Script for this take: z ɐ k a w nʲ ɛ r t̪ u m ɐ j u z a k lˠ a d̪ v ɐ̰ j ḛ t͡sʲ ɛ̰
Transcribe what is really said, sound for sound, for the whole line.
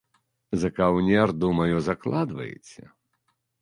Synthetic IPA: z ɐ k a w nʲ ɛ r d̪ u m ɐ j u z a k lˠ a d̪ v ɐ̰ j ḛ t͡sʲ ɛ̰